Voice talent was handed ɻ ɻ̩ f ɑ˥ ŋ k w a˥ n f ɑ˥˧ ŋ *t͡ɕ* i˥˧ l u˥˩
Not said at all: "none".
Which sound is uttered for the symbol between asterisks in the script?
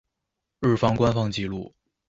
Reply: t͡ɕ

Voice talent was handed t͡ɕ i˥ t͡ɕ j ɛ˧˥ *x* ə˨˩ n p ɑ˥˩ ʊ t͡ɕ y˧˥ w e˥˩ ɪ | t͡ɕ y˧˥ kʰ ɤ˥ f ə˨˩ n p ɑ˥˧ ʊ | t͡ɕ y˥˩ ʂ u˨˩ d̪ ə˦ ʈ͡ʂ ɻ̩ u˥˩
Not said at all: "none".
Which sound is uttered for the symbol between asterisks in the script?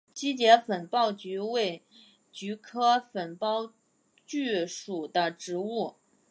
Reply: f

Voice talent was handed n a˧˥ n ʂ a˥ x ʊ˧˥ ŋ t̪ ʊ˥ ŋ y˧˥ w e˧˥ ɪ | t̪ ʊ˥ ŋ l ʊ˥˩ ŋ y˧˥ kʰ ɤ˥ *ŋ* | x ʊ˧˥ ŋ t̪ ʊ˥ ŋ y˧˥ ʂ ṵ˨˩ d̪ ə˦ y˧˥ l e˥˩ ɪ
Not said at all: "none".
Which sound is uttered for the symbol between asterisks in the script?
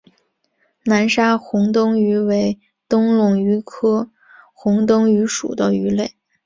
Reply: none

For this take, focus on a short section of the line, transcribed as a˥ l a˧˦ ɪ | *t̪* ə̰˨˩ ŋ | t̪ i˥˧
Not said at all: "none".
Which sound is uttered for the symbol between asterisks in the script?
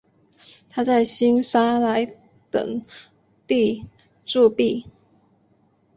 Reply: t̪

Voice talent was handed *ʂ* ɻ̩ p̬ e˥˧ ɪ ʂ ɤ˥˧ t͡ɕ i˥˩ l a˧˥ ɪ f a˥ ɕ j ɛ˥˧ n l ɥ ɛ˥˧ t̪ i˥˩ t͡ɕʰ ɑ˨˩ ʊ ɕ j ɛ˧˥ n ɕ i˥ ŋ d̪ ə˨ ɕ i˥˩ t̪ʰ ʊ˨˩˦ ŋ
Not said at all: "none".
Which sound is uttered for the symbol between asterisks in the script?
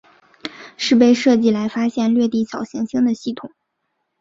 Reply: ʂ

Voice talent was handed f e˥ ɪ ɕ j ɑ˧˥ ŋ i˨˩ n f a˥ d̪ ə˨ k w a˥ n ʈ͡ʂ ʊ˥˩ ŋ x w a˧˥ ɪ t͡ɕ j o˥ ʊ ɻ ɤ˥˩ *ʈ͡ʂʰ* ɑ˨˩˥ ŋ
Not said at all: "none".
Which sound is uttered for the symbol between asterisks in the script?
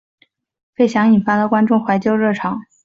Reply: ʈ͡ʂʰ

